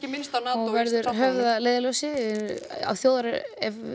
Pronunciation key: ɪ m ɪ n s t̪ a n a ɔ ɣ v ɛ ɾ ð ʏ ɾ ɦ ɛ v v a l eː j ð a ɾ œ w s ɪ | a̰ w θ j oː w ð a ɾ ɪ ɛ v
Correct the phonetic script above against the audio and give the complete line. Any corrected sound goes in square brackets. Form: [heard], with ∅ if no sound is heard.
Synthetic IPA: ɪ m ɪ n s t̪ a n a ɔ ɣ v ɛ ɾ ð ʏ ɾ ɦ [œ] v [ð] a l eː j ð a [l] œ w s ɪ | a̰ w θ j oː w ð a ɾ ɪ ɛ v